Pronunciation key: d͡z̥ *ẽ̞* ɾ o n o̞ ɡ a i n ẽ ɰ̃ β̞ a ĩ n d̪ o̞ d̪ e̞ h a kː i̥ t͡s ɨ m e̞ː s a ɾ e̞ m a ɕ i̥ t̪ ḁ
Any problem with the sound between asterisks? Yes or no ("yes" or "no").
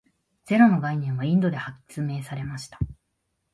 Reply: yes